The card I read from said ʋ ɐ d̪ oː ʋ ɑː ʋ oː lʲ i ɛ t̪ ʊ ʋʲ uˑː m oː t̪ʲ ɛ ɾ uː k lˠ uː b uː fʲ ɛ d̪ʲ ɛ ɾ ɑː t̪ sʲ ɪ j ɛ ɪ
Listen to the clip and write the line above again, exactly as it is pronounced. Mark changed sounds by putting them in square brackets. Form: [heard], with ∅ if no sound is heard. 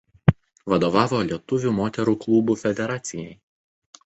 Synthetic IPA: ʋ ɐ d̪ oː ʋ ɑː ʋ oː lʲ i ɛ t̪ ʊ ʋʲ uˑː m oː t̪ʲ ɛ ɾ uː k lˠ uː b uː fʲ ɛ d̪ʲ ɛ ɾ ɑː t̪ sʲ ɪ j ɛ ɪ